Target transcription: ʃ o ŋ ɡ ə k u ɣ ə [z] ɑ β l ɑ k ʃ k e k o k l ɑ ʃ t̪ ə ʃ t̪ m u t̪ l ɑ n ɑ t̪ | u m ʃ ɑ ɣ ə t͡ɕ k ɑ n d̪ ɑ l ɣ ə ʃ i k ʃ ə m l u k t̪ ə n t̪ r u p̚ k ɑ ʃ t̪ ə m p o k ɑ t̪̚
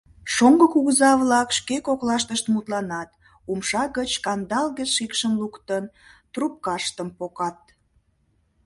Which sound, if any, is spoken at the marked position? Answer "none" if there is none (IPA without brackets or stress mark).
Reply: z